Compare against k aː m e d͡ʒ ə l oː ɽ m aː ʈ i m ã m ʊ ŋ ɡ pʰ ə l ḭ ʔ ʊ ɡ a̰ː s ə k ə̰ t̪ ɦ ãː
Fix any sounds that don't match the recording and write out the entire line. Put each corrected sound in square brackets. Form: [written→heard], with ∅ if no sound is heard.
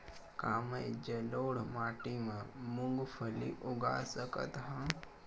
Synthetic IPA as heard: k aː m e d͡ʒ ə l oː ɽ m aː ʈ i m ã m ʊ ŋ ɡ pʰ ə l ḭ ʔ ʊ ɡ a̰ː s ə k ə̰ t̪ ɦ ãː